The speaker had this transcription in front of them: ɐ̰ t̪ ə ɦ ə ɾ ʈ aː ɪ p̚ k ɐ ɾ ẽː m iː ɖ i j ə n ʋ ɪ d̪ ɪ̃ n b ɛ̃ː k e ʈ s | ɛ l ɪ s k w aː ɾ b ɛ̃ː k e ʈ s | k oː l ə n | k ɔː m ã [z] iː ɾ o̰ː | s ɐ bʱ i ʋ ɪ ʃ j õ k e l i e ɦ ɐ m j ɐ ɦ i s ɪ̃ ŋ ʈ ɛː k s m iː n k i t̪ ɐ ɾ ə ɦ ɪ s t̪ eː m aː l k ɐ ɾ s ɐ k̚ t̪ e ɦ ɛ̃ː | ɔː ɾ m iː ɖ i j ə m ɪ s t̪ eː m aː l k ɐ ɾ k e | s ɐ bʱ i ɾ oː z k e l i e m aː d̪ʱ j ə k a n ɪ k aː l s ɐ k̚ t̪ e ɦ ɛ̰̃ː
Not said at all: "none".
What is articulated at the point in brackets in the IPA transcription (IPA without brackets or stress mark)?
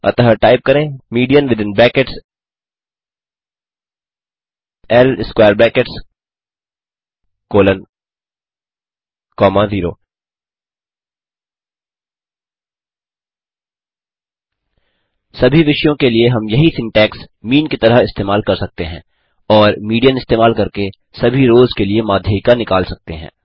z